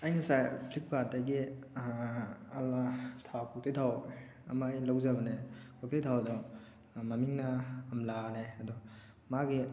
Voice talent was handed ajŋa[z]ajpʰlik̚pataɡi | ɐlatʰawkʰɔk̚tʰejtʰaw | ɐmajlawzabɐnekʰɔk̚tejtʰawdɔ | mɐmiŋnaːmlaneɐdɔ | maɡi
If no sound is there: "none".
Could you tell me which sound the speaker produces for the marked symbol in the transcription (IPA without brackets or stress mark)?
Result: s